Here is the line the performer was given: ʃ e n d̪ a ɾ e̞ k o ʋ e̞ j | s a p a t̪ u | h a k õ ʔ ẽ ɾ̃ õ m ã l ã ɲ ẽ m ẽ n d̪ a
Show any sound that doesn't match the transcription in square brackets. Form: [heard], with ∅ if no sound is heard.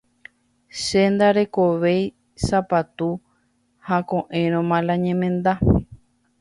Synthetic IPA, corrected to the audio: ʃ e n d̪ a ɾ e̞ k o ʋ e̞ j | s a p a t̪ u | h a k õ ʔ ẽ ɾ̃ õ m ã l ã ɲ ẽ m ẽ n d̪ a